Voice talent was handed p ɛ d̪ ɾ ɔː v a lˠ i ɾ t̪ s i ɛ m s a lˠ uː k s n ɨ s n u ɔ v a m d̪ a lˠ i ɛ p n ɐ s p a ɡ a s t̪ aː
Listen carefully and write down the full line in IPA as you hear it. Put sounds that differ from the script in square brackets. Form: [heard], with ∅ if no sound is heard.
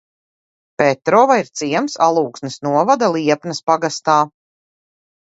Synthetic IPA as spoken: p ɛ [t̪] ɾ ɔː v a [∅] i ɾ t̪ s i ɛ m s a lˠ uː k s n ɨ s n u ɔ v a [∅] d̪ a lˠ i ɛ p n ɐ s p a ɡ a s t̪ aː